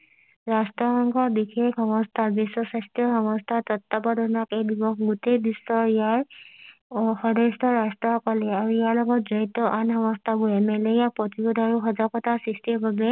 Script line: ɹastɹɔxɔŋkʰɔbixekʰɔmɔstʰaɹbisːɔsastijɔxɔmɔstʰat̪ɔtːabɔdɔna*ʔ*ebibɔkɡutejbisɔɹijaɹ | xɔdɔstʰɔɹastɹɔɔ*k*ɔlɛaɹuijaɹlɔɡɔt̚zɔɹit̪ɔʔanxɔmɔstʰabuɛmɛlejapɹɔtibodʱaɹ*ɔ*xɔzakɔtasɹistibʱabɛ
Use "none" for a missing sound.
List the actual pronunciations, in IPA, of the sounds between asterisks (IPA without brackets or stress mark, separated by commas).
k, k, u